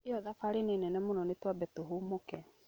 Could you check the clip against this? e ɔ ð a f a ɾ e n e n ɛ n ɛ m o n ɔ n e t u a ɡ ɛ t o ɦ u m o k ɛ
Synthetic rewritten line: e ɔ ð a f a ɾ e n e n ɛ n ɛ m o n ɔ n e t w a b ɛ t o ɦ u m o k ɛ